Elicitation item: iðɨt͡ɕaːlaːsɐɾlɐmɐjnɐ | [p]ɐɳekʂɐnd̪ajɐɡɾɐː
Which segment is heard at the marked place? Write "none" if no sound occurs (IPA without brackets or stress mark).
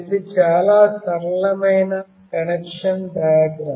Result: k